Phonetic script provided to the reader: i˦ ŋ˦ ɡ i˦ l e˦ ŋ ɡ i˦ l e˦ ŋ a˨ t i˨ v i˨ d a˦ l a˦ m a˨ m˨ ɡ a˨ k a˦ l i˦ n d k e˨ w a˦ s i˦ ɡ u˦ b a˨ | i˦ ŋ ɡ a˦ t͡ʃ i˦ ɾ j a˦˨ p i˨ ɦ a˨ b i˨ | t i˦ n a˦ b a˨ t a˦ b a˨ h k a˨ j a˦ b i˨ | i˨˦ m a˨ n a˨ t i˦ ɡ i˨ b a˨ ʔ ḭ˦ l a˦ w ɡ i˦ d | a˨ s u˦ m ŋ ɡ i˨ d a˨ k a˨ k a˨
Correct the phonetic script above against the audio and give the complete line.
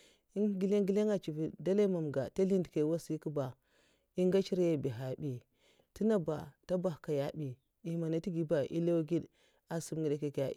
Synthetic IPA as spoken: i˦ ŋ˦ ɡ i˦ l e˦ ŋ ɡ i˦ l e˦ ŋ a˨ t͡ʃ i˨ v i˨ d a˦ l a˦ m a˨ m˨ ɡ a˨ t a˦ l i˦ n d k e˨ w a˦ s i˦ k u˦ b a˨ | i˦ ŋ ɡ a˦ t͡ʃ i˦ ɾ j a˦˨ b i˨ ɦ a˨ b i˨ | t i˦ n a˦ b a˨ t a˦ b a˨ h k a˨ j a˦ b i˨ | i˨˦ m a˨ n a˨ t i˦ ɡ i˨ b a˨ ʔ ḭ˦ l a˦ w ɡ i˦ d | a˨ s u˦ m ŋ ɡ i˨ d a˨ k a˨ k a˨

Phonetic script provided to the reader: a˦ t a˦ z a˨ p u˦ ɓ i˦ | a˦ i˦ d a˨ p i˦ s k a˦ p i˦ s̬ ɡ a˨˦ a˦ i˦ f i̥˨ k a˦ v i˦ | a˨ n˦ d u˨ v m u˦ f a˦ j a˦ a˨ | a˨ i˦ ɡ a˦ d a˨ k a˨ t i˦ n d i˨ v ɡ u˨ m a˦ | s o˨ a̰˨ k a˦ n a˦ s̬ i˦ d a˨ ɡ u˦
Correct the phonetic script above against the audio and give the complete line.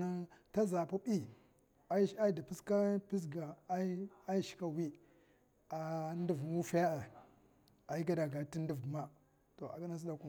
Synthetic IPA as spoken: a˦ t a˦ z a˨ p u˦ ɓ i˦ | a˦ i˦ d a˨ p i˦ s k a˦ p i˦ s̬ ɡ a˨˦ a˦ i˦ ʃ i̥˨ k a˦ w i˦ | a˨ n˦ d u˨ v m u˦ f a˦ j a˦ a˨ | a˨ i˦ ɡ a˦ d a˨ ɡ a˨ t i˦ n d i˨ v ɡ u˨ m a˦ | t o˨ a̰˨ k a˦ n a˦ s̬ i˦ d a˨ k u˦

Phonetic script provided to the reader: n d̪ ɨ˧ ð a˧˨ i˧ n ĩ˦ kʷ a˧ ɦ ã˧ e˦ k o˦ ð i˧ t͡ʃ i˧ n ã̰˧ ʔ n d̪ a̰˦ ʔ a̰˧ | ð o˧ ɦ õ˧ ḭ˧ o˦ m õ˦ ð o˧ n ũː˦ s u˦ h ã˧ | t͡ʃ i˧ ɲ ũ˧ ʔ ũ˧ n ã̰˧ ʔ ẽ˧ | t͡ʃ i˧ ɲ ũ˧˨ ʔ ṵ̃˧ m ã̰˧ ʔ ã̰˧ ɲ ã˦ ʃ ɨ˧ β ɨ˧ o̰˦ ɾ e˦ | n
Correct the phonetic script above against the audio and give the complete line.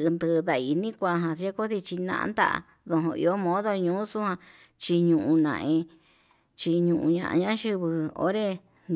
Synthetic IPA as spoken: n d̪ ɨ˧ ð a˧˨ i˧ n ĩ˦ kʷ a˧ ɦ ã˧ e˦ k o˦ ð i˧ t͡ʃ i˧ n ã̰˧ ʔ n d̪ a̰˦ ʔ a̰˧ | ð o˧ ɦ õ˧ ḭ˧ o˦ m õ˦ ð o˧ ɲ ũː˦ s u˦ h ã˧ | t͡ʃ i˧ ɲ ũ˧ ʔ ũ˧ n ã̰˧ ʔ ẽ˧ | t͡ʃ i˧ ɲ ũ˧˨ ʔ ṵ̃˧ ɲ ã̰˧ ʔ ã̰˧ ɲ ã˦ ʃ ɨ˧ β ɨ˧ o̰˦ ɾ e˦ | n

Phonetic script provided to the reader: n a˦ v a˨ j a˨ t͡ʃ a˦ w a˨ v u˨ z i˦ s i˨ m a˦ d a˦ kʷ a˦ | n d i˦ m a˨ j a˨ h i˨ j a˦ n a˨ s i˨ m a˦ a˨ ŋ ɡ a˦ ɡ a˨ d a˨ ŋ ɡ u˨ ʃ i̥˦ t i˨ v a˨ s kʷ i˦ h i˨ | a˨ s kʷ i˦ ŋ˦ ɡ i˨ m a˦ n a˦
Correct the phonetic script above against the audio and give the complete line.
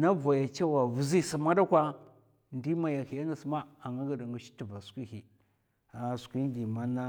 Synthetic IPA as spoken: n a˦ v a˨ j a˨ t͡ʃ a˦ w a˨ v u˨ z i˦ s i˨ m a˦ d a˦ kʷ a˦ | n d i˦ m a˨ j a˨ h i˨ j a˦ n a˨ s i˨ m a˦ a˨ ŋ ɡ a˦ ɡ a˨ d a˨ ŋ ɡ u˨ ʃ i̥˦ t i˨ v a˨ s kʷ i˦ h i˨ | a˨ s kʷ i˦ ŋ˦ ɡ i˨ m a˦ n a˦

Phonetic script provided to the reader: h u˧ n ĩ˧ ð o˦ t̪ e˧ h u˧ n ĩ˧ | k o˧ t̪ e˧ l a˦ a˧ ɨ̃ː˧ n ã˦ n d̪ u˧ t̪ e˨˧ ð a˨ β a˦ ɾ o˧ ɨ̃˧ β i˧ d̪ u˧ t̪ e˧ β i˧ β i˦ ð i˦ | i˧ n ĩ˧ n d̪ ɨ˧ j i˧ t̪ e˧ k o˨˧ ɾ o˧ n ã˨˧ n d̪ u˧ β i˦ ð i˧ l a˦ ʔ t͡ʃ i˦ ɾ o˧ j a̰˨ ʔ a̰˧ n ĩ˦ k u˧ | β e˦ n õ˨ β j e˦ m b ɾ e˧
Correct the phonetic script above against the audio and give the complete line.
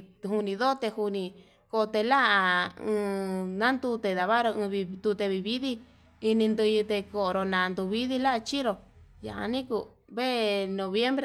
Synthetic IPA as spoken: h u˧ n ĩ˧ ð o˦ t̪ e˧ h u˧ n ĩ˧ | k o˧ t̪ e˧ l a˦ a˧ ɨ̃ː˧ n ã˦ n d̪ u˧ t̪ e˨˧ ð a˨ β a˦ ɾ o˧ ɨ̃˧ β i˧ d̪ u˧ t̪ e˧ β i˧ β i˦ ð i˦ | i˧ n ĩ˧ n d̪ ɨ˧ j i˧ t̪ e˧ k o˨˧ ɾ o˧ n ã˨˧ n d̪ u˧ β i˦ ð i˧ l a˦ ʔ t͡ʃ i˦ ɾ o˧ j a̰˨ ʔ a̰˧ n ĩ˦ k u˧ | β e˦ n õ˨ β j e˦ m b ɾ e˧

